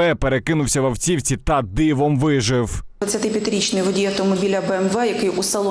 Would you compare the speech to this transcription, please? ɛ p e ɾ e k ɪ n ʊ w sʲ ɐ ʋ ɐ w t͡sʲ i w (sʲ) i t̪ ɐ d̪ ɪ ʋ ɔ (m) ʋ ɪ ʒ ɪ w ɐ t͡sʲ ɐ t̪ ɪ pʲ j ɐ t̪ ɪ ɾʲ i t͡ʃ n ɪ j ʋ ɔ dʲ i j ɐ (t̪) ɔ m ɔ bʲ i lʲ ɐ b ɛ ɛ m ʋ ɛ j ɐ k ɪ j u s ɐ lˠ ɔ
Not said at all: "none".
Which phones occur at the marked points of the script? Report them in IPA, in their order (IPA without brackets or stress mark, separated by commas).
t͡sʲ, m, t̪